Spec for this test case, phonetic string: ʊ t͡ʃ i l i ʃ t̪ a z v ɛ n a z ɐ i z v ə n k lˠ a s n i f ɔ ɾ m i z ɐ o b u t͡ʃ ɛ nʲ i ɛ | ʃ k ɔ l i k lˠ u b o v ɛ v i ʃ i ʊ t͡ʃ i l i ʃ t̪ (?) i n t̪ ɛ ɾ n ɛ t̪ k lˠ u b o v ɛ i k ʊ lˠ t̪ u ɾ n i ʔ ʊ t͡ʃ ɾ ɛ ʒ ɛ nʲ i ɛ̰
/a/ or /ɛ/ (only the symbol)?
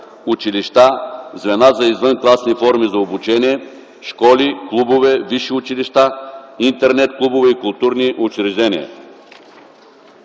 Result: a